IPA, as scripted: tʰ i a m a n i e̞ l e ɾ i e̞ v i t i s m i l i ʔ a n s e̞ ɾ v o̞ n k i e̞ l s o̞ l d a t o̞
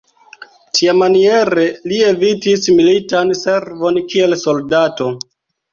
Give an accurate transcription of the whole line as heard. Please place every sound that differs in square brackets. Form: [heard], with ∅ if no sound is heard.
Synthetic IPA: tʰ i a m a n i e̞ [ɾ] e [l] i e̞ v i t i s m i l i [t] a n s e̞ ɾ v o̞ n k i e̞ l s o̞ l d a t o̞